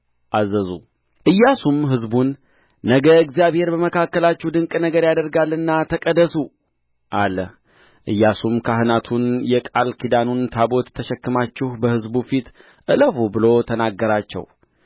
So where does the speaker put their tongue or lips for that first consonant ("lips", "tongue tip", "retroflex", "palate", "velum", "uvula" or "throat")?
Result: throat